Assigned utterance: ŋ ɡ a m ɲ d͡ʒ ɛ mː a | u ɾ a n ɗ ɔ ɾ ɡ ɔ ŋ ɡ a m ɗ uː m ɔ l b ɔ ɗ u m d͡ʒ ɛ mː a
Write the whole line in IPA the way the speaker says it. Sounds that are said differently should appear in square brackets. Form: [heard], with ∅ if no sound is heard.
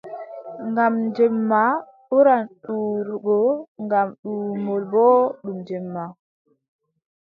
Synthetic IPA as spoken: ŋ ɡ a m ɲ d͡ʒ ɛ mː a | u ɾ a n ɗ [u] ɾ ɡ ɔ ŋ ɡ a m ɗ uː m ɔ l b ɔ ɗ u m d͡ʒ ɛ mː a